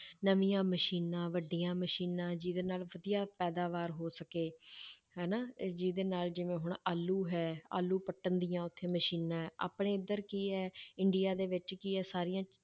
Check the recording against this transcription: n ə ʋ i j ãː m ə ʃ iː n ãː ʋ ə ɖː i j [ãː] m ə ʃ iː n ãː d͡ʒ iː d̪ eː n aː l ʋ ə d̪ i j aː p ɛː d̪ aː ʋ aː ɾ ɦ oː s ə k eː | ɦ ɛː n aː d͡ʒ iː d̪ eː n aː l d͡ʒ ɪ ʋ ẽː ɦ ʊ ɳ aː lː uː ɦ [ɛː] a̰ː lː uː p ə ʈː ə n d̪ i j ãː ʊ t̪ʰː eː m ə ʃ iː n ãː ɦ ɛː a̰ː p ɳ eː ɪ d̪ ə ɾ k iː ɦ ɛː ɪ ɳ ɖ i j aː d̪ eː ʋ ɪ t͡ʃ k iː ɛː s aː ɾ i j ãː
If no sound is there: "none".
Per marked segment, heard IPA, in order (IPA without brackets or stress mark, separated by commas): ãː, ɛː